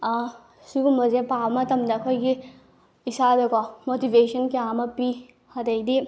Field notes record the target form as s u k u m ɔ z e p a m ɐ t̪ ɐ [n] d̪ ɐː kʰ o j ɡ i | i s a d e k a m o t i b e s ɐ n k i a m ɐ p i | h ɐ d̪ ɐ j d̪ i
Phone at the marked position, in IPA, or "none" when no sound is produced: m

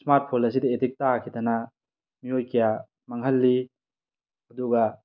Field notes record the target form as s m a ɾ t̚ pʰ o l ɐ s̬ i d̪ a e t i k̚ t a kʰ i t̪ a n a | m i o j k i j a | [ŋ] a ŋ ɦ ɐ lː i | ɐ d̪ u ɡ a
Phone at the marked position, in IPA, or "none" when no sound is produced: m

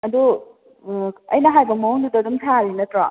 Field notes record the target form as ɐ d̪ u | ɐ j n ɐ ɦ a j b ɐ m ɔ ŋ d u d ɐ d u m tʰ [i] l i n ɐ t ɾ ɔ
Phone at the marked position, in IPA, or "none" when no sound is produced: a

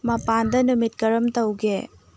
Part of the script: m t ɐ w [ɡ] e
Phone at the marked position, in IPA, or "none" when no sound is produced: ɡ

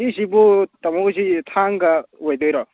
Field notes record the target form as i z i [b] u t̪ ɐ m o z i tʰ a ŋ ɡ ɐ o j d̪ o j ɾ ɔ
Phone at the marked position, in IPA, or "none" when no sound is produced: b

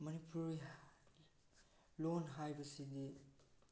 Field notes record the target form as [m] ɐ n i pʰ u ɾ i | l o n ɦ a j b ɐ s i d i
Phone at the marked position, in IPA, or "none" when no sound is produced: m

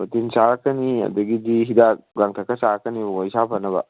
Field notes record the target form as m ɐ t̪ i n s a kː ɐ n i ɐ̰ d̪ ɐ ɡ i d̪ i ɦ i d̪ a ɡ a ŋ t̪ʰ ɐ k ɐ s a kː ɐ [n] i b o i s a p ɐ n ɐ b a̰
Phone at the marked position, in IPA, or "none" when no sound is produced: n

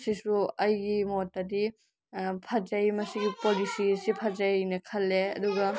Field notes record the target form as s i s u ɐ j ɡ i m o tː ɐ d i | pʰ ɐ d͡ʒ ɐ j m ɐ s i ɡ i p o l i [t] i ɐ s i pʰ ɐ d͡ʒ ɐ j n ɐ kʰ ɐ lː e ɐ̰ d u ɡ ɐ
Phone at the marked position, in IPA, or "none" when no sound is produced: s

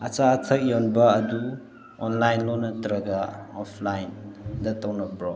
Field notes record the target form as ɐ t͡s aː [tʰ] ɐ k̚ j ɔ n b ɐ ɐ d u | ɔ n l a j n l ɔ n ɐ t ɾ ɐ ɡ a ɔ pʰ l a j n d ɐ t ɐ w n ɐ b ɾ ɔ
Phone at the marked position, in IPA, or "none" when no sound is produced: tʰ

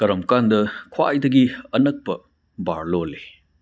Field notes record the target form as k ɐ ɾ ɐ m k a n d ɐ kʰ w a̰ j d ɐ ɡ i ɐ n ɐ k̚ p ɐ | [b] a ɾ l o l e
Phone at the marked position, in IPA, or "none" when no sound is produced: b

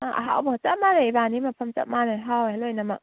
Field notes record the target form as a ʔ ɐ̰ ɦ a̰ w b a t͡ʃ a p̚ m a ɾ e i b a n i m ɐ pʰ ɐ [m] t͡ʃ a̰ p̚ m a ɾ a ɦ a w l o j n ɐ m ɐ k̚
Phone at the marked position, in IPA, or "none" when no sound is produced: m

